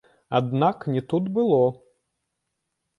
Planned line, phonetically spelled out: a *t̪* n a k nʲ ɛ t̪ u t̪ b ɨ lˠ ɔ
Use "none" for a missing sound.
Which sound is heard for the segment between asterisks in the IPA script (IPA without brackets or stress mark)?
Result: d̪